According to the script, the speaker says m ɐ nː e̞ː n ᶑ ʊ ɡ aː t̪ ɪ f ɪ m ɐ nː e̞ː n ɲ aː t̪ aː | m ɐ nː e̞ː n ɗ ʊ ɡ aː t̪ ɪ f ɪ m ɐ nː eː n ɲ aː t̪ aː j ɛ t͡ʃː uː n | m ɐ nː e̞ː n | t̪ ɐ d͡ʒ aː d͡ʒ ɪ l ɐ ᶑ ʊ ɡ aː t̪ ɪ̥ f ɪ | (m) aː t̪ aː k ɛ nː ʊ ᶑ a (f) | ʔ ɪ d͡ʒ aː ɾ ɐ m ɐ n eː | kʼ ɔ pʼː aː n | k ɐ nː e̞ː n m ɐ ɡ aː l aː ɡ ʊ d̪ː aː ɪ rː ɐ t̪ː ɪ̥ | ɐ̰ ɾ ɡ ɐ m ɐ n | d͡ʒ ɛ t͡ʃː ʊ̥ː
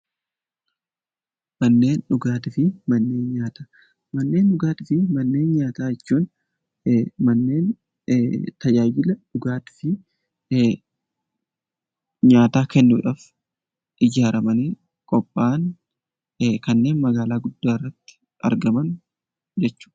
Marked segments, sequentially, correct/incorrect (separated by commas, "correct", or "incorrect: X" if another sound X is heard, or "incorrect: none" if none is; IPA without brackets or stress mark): incorrect: ɲ, correct